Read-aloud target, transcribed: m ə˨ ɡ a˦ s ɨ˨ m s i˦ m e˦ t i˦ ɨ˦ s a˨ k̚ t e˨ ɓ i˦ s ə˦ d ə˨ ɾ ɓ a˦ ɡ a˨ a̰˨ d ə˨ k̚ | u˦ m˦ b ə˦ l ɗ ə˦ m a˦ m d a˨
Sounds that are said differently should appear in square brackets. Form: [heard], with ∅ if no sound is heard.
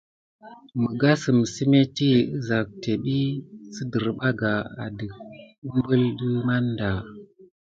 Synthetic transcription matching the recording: m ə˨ ɡ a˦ s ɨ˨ m s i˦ m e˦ t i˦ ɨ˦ [z] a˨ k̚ t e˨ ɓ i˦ s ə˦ d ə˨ ɾ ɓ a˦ ɡ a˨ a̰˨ d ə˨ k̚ | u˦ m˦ b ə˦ l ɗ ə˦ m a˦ [n] d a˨